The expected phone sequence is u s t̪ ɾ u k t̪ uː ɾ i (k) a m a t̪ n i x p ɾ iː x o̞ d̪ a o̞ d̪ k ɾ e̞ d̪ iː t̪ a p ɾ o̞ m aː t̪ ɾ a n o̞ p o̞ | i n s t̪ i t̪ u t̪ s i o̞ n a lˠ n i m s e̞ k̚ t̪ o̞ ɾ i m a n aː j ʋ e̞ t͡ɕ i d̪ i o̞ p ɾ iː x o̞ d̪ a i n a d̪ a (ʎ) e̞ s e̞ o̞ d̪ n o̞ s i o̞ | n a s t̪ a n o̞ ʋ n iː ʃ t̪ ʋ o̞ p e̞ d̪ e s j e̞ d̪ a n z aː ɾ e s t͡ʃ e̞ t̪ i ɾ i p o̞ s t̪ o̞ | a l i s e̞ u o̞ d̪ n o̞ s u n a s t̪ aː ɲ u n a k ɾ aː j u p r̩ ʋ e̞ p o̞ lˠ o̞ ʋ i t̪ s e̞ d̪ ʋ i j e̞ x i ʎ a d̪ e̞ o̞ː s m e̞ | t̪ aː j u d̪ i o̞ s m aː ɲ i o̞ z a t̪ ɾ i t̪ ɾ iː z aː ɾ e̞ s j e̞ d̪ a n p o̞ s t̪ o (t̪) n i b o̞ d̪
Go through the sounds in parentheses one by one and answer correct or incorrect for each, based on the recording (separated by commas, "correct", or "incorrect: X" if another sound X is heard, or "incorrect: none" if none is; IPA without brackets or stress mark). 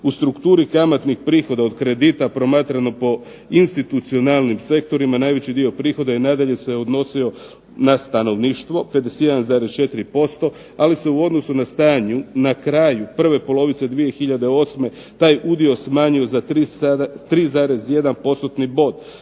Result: correct, correct, correct